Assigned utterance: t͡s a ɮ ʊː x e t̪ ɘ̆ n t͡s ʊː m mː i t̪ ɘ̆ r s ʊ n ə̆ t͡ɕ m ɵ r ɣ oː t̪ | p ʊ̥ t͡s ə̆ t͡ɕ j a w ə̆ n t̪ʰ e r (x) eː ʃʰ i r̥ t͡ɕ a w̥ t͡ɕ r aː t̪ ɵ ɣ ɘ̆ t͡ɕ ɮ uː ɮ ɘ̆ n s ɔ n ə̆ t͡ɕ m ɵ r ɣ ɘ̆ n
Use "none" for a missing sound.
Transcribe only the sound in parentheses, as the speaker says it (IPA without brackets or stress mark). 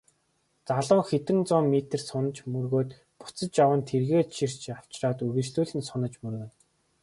ɣ